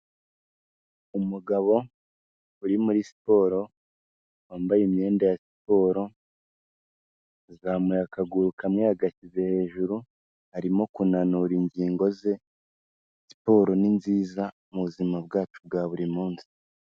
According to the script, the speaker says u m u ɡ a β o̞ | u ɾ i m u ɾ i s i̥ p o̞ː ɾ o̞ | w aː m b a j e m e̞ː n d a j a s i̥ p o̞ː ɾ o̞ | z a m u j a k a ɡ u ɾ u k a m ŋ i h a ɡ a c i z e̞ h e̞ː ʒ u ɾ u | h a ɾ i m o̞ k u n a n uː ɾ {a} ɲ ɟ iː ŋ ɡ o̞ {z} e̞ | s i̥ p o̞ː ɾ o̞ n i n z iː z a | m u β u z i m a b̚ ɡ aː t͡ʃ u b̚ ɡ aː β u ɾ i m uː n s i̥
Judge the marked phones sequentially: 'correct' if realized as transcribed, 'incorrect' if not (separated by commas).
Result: incorrect, correct